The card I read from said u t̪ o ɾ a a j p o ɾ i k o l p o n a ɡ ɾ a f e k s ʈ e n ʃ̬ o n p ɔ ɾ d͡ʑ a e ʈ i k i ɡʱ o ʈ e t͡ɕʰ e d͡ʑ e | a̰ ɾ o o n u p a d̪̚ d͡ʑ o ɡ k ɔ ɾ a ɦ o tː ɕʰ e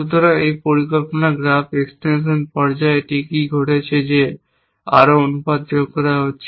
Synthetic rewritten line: u t̪ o ɾ a e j p o ɾ i k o l p o n a ɡ ɾ a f e k s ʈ e n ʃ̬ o n p ɔ ɾ d͡ʑ a e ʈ i k i ɡʱ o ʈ e t͡ɕʰ e d͡ʑ e | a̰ ɾ o o n u p a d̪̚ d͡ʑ o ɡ k ɔ ɾ a ɦ o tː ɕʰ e